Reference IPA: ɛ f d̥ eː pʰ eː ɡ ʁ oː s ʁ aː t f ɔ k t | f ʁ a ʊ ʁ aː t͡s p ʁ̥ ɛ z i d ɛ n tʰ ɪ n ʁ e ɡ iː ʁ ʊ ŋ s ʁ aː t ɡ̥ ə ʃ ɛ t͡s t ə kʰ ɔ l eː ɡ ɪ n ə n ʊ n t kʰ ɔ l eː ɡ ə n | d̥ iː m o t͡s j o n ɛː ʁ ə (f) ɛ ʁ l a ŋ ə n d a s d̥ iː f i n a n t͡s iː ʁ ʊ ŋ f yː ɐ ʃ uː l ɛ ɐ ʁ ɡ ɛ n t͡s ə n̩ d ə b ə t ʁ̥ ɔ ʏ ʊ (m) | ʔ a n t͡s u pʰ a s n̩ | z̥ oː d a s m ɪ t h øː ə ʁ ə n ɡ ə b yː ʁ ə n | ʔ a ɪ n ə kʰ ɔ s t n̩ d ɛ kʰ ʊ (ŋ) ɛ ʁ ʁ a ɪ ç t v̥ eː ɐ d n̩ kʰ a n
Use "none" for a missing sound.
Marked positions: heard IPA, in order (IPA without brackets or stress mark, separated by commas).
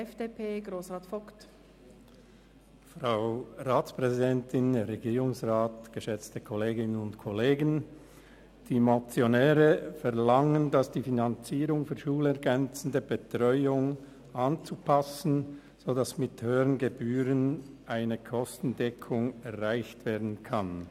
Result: f, ŋ, ŋ